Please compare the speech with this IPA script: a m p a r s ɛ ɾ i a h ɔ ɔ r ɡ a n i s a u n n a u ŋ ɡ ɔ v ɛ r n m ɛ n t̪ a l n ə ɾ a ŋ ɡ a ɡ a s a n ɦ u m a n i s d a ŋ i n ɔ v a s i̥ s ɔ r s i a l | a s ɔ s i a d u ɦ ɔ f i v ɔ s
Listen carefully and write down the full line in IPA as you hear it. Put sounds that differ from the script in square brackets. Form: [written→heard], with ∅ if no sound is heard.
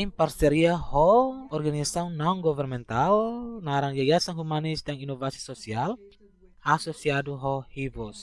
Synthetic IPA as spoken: [a→i] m p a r s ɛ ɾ i a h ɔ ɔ r ɡ a n i s a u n n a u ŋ ɡ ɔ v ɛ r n m ɛ n t̪ a l n [ə→a] ɾ a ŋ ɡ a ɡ a s a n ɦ u m a n i s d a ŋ i n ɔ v a s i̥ s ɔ [r→∅] s i a l | a s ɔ s i a d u ɦ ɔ [f→h] i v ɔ s